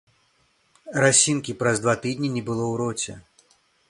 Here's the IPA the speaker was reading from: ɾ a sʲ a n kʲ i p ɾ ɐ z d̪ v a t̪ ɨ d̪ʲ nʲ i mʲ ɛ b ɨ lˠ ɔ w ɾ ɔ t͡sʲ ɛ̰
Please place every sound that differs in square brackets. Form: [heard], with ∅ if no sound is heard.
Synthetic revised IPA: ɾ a sʲ [i] n kʲ i p ɾ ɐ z d̪ v a t̪ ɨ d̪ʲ nʲ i [nʲ] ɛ b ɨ lˠ ɔ w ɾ ɔ t͡sʲ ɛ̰